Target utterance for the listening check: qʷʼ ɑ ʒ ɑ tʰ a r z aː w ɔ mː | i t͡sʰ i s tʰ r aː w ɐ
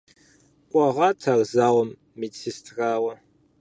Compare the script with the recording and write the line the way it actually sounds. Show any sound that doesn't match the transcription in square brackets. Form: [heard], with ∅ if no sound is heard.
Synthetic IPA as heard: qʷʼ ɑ [ʁ] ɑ tʰ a r z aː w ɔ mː | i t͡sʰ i s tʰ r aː w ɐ